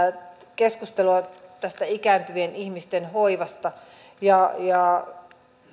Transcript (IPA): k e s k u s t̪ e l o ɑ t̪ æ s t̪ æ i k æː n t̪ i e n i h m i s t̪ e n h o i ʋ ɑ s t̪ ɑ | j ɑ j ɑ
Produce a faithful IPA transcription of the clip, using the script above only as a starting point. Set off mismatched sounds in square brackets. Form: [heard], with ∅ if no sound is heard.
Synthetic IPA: k e s k u s t̪ e l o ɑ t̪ æ s t̪ æ i k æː n t̪ [y] e n i h m i s t̪ e n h o i ʋ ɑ s t̪ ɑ | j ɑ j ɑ